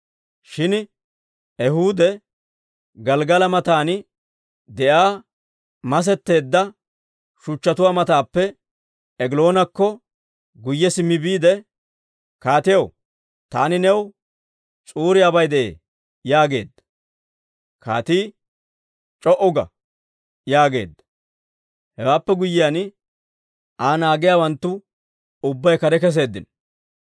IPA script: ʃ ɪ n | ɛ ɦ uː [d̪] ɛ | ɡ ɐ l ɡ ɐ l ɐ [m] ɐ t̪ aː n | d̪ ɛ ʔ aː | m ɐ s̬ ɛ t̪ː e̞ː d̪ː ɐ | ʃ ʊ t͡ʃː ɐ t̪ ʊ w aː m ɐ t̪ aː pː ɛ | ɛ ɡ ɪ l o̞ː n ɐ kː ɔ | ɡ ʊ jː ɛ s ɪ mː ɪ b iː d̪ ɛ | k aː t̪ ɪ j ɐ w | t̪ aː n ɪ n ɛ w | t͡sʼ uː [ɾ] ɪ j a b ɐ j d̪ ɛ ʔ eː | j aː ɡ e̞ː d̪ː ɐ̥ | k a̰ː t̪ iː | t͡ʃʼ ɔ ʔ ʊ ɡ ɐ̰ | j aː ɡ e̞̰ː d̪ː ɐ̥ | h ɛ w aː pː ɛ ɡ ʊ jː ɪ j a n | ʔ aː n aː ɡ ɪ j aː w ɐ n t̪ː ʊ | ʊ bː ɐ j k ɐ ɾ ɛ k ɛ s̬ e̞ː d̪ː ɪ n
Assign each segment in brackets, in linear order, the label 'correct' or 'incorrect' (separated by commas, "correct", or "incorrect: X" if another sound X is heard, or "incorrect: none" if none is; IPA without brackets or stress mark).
correct, correct, correct